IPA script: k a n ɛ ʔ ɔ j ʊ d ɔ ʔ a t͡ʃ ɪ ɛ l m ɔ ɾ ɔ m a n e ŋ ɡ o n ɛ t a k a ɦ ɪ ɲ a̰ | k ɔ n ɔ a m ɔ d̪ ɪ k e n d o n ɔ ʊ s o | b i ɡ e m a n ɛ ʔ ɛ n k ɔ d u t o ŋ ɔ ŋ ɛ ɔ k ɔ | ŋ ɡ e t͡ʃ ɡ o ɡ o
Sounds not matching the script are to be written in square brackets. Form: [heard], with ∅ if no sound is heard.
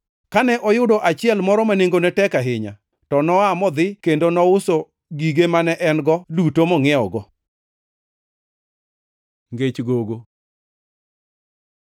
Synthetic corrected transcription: k a n ɛ ʔ ɔ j ʊ d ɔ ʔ a t͡ʃ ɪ ɛ l m ɔ ɾ ɔ m a n e ŋ ɡ o n ɛ t [ɛ] k a ɦ ɪ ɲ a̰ | [t] ɔ n ɔ a m ɔ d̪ ɪ k e n d o n ɔ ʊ s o | [ɡ] i ɡ e m a n ɛ ʔ ɛ n [ɡ] ɔ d u t o [m] ɔ ŋ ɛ ɔ [ɡ] ɔ | ŋ ɡ e t͡ʃ ɡ o ɡ o